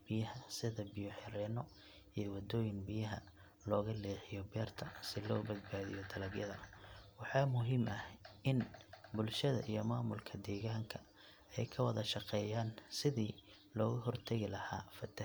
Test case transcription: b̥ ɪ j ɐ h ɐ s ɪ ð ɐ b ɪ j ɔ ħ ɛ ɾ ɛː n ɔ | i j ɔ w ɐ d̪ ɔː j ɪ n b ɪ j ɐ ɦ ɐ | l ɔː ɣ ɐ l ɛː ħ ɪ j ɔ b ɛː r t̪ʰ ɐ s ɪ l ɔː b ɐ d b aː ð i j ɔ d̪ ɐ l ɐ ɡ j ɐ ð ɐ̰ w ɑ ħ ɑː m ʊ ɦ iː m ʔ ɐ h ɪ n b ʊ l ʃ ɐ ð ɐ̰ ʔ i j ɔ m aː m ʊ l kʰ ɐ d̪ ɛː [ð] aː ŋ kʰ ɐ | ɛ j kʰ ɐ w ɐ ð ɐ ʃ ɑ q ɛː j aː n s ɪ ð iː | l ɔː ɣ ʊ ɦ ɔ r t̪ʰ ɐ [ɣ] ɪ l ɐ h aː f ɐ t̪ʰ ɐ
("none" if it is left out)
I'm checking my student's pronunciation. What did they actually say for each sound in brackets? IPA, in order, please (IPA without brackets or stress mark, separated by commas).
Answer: ɣ, ɣ